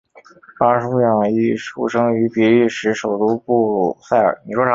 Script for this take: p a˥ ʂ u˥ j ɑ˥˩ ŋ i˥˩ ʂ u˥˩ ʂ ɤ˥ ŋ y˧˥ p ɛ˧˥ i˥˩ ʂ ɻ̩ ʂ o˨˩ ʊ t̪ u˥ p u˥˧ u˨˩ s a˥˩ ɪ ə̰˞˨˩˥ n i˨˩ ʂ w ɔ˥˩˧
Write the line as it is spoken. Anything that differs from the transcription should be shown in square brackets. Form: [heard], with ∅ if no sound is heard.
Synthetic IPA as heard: p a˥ ʂ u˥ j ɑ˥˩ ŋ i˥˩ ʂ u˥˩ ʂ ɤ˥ ŋ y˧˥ p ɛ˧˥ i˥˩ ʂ ɻ̩ ʂ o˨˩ ʊ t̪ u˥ p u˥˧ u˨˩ s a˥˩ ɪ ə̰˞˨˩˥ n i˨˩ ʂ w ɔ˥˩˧